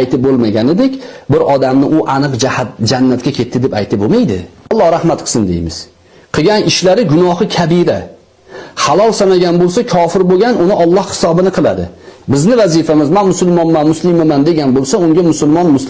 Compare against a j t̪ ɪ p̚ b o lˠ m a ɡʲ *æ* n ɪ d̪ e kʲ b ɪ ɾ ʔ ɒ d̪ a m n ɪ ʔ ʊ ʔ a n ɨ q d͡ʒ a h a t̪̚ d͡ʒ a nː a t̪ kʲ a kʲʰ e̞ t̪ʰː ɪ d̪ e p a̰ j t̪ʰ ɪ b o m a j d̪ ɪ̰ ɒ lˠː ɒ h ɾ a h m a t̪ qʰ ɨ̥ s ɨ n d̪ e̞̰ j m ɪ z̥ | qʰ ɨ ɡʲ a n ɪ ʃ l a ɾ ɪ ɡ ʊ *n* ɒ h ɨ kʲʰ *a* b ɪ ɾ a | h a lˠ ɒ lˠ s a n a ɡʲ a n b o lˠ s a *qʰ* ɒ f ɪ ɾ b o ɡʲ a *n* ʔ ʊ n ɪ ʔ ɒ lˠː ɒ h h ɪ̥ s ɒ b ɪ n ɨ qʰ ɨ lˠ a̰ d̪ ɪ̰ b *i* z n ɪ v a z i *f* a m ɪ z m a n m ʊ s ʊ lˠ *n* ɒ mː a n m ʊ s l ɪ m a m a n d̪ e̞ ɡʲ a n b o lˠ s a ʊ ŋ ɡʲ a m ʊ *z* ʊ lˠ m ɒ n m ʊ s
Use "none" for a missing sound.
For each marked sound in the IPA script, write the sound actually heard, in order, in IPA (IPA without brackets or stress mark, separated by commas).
a, n, a, kʰ, n, ɪ, f, m, s